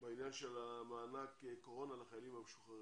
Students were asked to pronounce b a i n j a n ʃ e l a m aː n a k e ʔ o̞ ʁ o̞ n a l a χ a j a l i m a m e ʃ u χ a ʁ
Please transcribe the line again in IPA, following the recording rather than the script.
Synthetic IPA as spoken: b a i n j a n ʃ e l a m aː n a k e k o̞ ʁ o̞ n a l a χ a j a l i m a m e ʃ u χ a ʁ

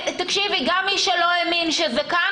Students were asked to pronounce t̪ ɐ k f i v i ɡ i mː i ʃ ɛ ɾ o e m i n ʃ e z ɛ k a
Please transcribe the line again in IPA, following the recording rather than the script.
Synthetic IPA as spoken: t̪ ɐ k ʃ i v i ɡ a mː i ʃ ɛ l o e m i n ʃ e z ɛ k a

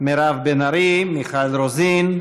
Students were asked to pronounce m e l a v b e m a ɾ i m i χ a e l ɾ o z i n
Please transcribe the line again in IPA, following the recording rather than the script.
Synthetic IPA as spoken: m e ɾ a v b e n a ɾ i m i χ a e l ɾ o z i n

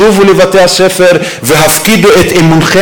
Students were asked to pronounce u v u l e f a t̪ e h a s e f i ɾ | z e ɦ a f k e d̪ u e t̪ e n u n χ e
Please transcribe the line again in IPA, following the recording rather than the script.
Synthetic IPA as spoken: u v u l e v a t̪ e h a s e f e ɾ | v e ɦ a f k i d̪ u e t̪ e m u n χ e

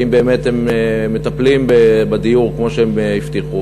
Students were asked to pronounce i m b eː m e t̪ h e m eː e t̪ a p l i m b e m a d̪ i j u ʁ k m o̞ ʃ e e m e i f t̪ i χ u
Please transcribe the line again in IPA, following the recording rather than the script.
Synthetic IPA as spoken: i m b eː m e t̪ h e m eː e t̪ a p l i m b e b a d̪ i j u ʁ k m o̞ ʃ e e m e i f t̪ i χ u

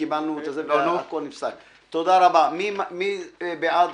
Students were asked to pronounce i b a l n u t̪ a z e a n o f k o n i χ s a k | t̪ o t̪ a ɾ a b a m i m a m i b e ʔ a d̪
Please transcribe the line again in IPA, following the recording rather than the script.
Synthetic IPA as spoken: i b a l n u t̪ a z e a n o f k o n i f s a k | t̪ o d̪ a ɾ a b a m i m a m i b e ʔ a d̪

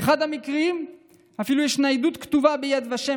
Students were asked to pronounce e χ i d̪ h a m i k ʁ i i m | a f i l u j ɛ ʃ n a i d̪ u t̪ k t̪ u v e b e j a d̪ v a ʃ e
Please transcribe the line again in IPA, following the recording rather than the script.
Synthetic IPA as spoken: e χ a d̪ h a m i k ʁ i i m | a f i l u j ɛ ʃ n a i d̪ u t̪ k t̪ u v a b e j a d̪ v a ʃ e

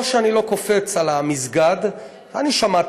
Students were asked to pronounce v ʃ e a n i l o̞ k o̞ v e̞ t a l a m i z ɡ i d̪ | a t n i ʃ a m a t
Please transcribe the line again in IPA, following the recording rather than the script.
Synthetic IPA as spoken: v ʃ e a n i l o̞ k o̞ f e̞ t͡s a l a m i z ɡ a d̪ | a n i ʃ a m a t

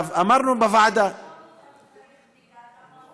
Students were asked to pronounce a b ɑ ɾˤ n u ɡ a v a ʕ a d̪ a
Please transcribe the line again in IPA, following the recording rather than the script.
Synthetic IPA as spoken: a m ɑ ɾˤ n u b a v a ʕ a d̪ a

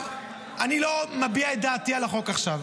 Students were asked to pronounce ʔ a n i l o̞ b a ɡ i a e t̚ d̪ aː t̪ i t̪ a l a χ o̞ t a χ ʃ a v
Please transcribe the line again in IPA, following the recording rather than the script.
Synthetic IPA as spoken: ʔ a n i l o̞ m a b i a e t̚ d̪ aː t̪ i a l a χ o̞ k a χ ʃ a v

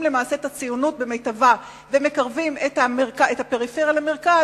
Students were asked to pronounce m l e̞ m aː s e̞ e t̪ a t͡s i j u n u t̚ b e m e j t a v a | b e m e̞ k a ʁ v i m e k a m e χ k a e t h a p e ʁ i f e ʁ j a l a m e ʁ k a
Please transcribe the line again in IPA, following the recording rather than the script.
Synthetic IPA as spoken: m l e̞ m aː s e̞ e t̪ a t͡s i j u n u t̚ b e m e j t a v a | v e m e̞ k a ʁ v i m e t a m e ʁ k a e t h a p e ʁ i f e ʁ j a l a m e ʁ k a

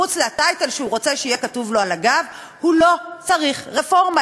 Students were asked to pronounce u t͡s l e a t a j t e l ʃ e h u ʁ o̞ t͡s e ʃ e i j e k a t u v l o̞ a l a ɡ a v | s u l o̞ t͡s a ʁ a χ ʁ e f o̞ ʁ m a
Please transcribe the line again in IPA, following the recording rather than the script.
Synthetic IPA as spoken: u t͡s l e a t a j t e l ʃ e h u ʁ o̞ t͡s e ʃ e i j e k a t u v l o̞ a l a ɡ a v | h u l o̞ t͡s a ʁ i χ ʁ e f o̞ ʁ m a

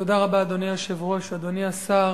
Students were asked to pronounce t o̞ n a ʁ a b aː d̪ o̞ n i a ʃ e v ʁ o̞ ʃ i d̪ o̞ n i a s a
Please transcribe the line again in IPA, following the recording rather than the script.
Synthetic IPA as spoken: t o̞ d a ʁ a b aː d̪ o̞ n i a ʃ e v ʁ o̞ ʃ a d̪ o̞ n i a s a

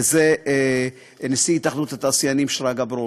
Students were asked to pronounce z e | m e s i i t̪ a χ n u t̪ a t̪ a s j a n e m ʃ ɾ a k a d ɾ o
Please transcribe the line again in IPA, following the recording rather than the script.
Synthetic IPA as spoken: z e | n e s i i t̪ a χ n u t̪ a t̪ a s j a n i m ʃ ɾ a ɡ a b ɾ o

